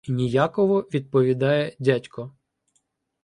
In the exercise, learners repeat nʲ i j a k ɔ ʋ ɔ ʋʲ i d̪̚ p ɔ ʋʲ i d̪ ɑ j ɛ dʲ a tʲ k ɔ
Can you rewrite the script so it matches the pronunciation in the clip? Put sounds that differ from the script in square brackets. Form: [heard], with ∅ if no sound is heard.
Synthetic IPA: nʲ i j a k ɔ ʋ ɔ ʋʲ i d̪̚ p ɔ ʋʲ i d̪ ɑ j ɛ dʲ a tʲ k ɔ